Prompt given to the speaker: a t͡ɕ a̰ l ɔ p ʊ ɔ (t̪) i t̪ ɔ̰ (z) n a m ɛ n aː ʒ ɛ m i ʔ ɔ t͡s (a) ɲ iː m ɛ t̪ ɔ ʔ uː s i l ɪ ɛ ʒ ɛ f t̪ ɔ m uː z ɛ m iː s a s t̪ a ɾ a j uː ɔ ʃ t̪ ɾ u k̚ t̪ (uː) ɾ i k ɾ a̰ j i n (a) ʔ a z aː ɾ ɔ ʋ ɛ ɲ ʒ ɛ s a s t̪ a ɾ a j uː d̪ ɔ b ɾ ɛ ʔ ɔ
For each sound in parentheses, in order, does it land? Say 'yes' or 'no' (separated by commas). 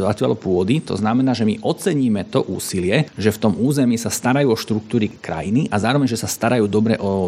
no, yes, no, yes, no